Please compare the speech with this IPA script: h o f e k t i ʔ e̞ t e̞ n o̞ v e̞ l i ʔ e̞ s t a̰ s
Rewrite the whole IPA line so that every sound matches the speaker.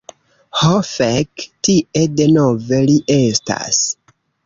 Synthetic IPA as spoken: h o f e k t i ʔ e̞ d e̞ n o̞ v e̞ l i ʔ e̞ s t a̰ s